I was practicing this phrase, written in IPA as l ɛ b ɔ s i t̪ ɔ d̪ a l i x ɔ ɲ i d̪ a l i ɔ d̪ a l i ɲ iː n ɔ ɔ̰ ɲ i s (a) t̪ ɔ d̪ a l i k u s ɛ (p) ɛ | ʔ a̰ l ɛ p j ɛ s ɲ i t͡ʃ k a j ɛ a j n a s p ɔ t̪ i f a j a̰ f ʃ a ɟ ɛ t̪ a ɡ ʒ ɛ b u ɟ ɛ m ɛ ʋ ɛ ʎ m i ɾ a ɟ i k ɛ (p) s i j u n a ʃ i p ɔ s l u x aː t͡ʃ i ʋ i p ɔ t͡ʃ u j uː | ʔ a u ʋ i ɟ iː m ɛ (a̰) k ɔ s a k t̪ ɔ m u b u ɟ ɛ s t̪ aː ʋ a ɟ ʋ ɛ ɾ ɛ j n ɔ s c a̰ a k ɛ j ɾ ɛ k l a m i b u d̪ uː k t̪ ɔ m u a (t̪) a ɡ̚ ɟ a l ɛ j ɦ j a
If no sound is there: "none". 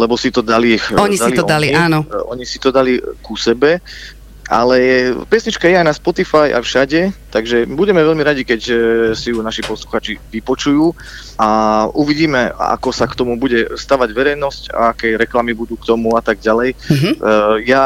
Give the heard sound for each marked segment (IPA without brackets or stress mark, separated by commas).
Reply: i, b, c, a̰, t̪